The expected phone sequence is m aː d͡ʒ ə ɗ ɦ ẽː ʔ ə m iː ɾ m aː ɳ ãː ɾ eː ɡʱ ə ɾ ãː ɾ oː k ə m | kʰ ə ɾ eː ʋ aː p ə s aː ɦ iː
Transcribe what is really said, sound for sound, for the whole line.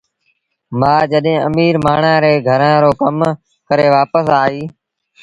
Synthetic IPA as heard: m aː d͡ʒ ə ɗ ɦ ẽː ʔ ə m iː ɾ m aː ɳ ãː ɾ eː ɡʱ ə ɾ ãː ɾ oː k ə m | k ə ɾ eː ʋ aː p ə s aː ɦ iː

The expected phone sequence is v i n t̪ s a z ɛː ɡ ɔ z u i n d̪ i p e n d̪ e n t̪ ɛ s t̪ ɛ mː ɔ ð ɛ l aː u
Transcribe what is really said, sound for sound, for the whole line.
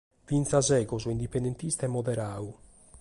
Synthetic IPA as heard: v i n t̪ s a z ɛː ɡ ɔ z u i n d̪ i p e n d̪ e n t̪ i s t̪ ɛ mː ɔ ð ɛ ɾ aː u

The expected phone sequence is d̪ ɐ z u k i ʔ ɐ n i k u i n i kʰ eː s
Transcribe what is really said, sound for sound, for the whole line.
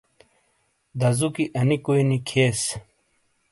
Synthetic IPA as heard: d̪ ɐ z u k i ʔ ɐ n i k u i n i kʰ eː s

